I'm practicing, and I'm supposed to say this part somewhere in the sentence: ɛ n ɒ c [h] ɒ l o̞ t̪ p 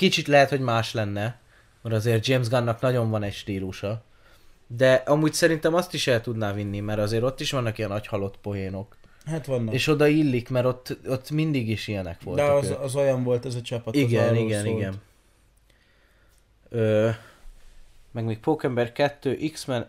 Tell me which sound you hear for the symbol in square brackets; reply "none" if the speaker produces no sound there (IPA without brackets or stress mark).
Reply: h